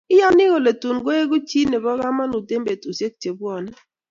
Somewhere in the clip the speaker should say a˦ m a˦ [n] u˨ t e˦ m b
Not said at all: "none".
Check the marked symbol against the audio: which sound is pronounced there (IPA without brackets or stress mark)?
n